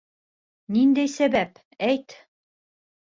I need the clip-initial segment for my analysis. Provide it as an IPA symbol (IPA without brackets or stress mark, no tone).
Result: n